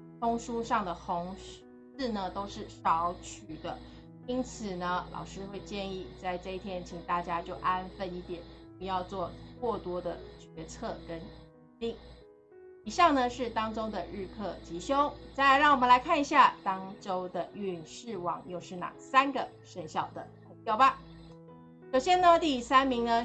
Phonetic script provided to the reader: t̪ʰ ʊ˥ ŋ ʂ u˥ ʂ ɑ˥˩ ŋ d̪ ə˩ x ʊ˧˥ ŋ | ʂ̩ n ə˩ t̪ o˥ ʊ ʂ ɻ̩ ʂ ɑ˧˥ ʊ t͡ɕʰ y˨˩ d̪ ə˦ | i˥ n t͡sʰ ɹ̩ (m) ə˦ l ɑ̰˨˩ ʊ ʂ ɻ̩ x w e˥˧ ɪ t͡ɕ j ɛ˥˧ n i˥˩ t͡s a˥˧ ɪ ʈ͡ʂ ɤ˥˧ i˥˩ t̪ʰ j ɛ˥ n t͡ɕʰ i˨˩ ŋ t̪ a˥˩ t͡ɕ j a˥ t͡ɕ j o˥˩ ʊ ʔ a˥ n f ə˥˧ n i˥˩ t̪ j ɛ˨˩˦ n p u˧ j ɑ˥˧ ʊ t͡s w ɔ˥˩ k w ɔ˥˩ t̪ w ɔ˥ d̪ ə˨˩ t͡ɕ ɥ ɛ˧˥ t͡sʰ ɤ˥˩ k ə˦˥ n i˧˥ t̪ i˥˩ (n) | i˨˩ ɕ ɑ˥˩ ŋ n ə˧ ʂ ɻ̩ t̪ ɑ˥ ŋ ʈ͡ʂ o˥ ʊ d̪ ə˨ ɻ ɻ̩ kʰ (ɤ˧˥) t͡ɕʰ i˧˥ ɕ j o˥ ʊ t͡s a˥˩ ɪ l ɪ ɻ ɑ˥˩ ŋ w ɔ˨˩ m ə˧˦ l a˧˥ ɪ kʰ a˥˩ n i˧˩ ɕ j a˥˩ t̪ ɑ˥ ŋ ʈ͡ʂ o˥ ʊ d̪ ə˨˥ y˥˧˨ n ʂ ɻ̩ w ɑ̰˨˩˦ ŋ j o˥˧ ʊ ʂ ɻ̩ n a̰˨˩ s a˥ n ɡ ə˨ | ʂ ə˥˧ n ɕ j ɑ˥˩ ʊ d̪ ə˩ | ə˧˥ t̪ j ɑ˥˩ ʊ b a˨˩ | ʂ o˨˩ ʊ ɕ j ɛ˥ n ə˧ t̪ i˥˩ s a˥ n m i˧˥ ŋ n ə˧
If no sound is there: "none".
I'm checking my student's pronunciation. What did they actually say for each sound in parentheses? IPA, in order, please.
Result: n, ŋ, ɤ˥˩

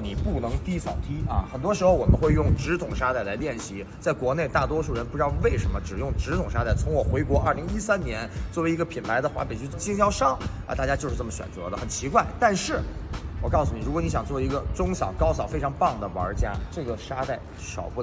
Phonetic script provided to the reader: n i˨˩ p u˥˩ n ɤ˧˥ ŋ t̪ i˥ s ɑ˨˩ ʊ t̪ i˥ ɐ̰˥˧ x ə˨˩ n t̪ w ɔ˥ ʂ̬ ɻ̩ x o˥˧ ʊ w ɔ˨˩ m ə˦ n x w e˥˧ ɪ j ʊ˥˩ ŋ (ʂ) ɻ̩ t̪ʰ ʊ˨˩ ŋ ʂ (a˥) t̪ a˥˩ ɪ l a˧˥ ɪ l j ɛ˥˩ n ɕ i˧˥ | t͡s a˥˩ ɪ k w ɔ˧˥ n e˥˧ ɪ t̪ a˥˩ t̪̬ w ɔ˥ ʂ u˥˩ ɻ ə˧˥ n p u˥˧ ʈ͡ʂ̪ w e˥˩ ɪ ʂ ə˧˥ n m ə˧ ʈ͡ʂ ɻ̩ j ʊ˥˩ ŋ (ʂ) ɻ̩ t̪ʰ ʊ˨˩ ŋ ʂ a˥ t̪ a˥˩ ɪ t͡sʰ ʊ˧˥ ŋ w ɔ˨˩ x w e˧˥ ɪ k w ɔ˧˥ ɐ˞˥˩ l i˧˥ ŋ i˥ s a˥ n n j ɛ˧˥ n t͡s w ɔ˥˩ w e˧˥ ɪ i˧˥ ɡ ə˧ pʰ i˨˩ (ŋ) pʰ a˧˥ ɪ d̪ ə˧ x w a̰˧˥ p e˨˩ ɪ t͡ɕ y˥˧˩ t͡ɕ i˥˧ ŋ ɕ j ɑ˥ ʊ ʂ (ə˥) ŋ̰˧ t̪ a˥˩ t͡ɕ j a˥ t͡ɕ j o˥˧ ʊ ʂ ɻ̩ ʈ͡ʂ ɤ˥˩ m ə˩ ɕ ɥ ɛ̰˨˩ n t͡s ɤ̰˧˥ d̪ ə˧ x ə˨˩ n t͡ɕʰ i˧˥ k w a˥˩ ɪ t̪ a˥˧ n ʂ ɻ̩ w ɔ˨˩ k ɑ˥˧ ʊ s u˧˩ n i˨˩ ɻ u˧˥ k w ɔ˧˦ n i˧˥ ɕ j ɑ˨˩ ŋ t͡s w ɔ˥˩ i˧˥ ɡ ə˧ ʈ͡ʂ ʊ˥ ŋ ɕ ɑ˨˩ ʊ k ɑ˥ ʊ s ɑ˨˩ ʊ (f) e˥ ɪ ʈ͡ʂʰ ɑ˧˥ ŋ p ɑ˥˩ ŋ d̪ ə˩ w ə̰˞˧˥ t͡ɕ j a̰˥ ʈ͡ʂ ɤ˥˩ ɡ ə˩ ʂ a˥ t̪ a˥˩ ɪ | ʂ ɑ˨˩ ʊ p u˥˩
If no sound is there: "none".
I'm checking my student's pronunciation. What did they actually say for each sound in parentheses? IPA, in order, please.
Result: ʈ͡ʂ, a˥, ʈ͡ʂ, n, ɑ˥, f

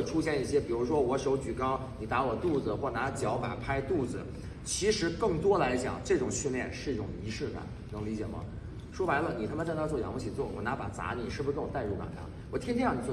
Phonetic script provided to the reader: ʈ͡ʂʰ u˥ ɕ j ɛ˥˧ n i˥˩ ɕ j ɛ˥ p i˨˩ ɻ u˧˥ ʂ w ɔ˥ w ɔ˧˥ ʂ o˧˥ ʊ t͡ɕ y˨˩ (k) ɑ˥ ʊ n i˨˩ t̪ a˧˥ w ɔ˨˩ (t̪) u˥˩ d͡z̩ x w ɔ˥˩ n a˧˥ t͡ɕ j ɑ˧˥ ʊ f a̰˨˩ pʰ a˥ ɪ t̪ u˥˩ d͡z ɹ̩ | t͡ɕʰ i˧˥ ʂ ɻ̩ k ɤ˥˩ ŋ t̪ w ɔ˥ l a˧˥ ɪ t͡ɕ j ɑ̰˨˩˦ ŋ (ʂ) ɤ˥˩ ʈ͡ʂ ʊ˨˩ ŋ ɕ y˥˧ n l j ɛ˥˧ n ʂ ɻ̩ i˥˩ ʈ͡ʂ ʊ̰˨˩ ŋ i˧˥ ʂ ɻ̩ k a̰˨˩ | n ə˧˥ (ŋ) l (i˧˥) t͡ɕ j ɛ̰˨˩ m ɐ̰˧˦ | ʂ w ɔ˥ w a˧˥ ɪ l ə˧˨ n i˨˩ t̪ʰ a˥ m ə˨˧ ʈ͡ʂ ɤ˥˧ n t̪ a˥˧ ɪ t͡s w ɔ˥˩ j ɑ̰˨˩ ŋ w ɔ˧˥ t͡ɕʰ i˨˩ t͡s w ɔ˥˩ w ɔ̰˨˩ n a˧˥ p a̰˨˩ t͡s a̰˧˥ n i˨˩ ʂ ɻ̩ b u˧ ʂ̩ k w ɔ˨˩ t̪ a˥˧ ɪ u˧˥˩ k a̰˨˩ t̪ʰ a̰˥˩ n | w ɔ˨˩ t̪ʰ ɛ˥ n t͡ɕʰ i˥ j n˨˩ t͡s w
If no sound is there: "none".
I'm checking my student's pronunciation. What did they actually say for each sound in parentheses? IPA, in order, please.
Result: k, t̪, ʈ͡ʂ, ŋ, i˧˥

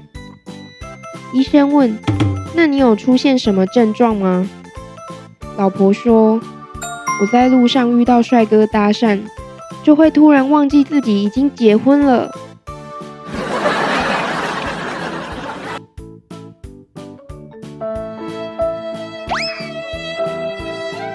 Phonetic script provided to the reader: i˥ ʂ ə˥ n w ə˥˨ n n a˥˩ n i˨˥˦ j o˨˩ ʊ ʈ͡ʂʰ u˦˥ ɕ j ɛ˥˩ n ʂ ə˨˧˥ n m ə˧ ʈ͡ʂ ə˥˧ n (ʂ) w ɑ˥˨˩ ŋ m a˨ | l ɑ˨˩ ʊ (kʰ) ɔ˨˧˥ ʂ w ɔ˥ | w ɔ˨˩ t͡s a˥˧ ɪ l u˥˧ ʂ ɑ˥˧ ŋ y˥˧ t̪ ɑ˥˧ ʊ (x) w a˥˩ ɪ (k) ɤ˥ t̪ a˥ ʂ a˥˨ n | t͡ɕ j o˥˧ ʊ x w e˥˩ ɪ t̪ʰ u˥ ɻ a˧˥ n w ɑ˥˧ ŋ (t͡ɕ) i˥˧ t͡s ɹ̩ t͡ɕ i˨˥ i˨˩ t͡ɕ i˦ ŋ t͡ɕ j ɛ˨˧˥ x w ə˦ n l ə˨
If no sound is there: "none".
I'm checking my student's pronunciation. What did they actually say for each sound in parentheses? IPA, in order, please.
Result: ʈ͡ʂ, pʰ, ʂ, k, t͡ɕ

